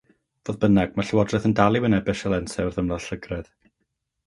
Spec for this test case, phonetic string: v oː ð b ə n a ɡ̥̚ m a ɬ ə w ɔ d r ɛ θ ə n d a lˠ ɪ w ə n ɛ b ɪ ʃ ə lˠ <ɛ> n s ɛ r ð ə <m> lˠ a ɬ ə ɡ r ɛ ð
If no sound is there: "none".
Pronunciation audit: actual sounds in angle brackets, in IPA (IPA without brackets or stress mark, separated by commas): ɛ, m